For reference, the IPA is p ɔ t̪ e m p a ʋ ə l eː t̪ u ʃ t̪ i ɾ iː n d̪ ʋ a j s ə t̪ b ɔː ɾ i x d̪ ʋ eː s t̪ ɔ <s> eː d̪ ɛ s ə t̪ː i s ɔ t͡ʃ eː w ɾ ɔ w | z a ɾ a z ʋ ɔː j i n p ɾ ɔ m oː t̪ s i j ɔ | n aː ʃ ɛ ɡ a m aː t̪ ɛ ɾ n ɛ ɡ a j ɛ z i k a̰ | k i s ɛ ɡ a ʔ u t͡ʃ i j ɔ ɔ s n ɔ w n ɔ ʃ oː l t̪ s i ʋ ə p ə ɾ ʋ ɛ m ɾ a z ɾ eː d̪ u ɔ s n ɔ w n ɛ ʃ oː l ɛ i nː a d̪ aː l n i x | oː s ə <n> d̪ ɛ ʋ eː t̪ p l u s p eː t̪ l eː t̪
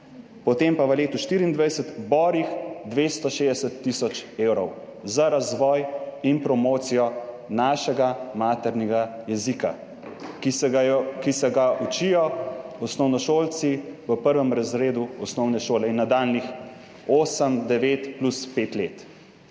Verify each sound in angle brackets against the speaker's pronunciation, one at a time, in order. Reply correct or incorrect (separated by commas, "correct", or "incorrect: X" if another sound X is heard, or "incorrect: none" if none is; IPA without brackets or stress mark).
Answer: incorrect: ʃ, incorrect: m